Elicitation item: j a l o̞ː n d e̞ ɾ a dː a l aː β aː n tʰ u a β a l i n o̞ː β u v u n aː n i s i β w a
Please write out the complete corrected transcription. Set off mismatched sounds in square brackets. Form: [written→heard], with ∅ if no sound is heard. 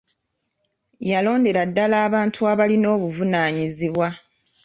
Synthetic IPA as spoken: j a l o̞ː n d e̞ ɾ a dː a l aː β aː n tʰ u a β a l i n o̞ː β u v u n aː [n→ɲ] i [s→z] i β w a